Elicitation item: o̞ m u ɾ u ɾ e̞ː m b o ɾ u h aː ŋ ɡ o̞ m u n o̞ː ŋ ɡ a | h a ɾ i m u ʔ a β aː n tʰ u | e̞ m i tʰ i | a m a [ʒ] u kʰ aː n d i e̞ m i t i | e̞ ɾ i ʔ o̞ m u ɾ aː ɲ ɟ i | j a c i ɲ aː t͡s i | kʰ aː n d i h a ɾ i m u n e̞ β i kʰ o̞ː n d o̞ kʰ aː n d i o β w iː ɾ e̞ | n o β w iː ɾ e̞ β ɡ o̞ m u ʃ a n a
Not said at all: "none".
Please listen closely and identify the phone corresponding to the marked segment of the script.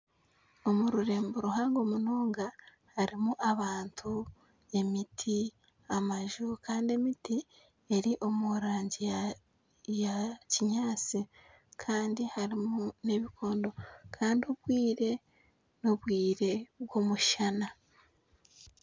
ʒ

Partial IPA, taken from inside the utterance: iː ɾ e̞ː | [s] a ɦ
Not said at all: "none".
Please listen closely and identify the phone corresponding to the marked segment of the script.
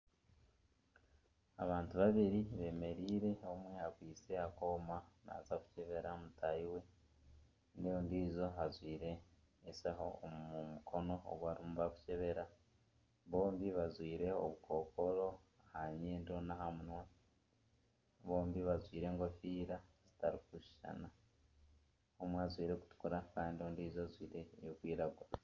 s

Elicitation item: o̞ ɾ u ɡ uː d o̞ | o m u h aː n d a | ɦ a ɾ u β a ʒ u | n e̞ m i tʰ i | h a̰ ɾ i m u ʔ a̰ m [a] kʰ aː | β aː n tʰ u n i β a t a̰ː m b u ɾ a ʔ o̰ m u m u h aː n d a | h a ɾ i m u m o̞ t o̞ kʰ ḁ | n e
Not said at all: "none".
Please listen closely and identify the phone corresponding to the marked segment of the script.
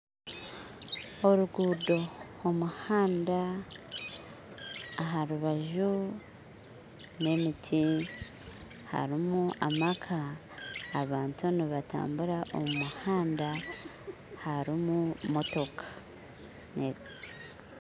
a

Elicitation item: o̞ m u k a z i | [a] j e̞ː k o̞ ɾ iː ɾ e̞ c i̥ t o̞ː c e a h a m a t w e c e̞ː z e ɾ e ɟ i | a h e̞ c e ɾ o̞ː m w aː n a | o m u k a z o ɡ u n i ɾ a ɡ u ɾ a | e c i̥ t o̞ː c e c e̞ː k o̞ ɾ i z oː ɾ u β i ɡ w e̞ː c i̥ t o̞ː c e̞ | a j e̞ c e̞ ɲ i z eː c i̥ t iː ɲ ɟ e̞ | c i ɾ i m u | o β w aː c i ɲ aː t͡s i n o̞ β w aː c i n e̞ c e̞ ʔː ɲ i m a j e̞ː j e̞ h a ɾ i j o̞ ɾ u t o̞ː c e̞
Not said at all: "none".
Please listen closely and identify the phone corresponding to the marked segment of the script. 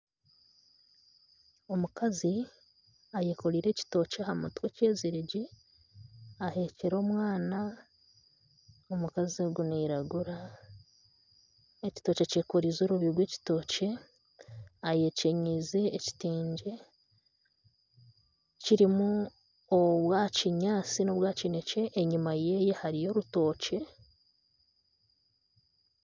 a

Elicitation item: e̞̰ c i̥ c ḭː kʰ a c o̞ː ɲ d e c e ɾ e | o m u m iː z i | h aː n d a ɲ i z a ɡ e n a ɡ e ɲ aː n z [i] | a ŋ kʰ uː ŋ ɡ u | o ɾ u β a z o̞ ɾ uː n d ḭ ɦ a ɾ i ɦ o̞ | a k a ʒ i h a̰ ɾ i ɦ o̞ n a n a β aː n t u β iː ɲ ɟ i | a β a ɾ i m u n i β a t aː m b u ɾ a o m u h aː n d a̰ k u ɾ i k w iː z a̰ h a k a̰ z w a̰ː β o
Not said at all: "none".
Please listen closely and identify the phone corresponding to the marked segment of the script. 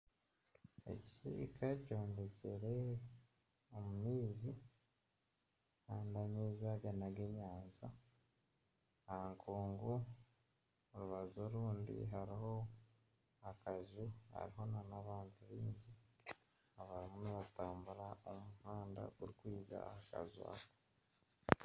a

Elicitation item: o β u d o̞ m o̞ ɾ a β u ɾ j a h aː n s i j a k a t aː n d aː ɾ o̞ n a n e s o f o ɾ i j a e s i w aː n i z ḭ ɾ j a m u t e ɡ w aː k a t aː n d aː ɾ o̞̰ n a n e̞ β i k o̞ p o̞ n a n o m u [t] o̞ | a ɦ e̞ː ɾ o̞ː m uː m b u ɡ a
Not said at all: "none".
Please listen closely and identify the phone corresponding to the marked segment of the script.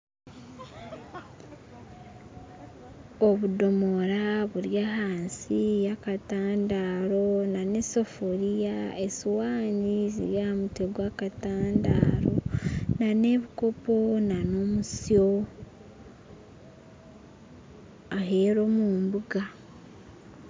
s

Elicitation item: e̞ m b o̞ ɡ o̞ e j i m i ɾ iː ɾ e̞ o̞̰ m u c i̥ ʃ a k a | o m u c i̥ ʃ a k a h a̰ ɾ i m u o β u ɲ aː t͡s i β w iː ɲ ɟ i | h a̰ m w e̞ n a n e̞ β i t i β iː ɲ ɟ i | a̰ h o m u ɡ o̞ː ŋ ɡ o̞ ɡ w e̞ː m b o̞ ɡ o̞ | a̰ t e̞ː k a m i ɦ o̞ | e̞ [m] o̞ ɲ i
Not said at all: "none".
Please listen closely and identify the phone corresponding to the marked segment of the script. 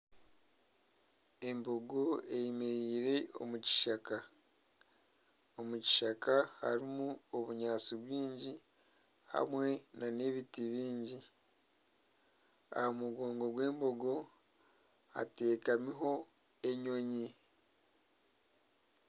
ɲ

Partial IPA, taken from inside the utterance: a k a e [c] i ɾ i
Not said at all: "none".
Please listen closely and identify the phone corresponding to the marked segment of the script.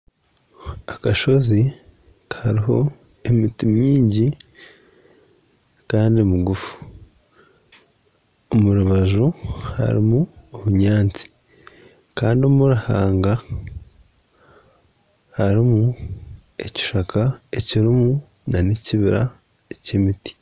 c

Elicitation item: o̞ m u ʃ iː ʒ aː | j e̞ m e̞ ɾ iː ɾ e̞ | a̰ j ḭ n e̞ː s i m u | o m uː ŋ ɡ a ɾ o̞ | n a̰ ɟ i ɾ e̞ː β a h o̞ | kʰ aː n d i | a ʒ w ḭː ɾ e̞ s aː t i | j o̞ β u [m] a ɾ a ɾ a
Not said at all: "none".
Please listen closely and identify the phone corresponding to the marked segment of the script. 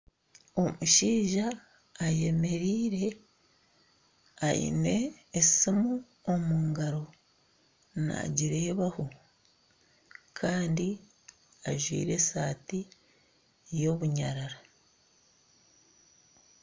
ɲ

